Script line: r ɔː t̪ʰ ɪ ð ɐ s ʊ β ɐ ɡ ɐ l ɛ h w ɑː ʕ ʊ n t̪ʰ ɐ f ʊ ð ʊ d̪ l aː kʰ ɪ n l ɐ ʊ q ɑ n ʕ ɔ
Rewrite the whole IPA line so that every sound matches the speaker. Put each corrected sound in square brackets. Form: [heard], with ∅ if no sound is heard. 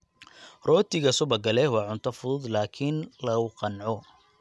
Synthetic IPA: r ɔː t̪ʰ ɪ [ɣ] ɐ s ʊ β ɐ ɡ ɐ l ɛ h w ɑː ʕ ʊ n t̪ʰ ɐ f ʊ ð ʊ d̪ l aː kʰ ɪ n l ɐ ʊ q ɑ n ʕ ɔ